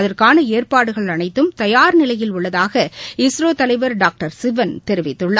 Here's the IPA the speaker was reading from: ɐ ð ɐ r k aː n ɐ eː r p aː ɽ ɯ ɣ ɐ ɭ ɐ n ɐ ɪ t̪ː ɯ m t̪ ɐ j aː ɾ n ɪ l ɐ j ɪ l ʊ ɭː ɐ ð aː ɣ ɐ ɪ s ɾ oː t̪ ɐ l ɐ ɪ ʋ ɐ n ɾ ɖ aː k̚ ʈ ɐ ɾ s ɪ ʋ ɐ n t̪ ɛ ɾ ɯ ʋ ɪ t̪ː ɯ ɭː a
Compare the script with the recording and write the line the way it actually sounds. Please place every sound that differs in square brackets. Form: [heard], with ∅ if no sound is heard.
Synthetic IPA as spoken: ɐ ð ɐ r k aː n ɐ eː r p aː ɽ ɯ ɣ ɐ ɭ ɐ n ɐ ɪ t̪ː ɯ m t̪ ɐ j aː ɾ n ɪ l ɐ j ɪ l ʊ ɭː ɐ ð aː ɣ ɐ ɪ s ɾ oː t̪ ɐ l ɐ ɪ ʋ ɐ [∅] ɾ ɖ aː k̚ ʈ ɐ ɾ s ɪ ʋ ɐ n t̪ ɛ ɾ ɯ ʋ ɪ t̪ː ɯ ɭː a